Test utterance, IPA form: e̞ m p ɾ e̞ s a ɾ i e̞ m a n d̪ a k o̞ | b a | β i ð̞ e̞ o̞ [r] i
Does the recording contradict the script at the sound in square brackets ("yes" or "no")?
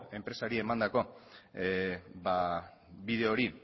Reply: yes